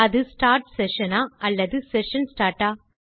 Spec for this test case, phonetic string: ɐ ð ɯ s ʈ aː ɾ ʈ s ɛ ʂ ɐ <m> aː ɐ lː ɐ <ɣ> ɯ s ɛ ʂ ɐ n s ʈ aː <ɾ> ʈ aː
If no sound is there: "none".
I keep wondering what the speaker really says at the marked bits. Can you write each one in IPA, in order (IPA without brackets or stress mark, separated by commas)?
n, ð, ɾ